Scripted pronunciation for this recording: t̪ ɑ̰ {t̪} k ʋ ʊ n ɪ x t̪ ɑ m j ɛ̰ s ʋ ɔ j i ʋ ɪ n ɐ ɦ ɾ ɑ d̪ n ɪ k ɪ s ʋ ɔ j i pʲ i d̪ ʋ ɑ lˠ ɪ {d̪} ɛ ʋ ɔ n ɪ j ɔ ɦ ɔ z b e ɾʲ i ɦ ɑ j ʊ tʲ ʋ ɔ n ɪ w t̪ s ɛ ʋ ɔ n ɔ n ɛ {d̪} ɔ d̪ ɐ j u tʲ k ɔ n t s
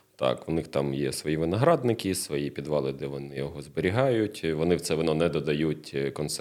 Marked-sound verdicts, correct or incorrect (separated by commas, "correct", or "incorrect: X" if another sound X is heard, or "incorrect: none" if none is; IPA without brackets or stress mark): incorrect: none, correct, correct